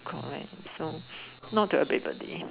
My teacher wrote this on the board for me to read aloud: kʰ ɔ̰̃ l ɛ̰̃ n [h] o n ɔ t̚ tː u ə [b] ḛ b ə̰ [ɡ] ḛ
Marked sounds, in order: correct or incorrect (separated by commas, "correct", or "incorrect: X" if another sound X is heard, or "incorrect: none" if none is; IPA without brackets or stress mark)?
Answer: incorrect: s, correct, incorrect: d